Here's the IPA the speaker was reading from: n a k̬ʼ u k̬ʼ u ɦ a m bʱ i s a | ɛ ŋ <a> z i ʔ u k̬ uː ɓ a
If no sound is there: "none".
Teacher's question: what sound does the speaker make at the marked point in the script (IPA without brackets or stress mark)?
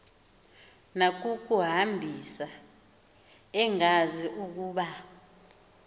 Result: a